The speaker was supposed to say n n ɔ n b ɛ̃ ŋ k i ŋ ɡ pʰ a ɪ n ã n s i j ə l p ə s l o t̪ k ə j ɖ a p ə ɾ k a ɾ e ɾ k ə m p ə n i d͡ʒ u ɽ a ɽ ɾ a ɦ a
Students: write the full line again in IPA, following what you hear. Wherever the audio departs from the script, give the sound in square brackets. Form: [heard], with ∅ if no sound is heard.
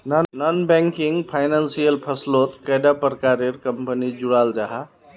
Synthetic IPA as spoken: n n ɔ n b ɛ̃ ŋ k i ŋ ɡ pʰ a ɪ n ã n s i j ə l [pʰ] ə s l o t̪ k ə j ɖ a p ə ɾ k a ɾ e ɾ k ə m p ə n i d͡ʒ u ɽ a [l] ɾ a ɦ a